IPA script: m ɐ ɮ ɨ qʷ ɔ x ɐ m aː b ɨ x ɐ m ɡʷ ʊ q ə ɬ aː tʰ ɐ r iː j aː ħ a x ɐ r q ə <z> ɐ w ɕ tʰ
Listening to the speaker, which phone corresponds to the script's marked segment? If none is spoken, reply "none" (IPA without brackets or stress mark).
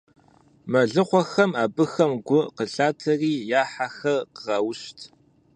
ʁ